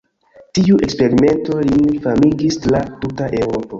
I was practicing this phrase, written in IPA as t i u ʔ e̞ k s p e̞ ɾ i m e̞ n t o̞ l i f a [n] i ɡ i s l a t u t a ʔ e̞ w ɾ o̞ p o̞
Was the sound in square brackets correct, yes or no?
no